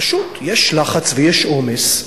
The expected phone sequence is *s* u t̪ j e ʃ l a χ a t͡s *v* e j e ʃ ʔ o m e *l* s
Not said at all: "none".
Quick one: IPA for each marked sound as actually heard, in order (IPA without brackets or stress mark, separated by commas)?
ʃ, v, none